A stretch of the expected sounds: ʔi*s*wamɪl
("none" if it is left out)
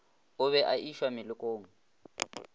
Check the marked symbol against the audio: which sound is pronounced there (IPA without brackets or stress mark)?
ʃ